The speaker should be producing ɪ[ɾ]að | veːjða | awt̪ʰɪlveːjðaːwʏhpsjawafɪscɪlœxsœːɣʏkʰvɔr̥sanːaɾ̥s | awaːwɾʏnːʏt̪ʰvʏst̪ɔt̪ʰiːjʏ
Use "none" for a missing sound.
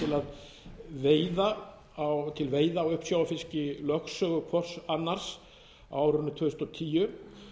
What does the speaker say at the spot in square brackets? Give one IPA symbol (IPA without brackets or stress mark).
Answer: l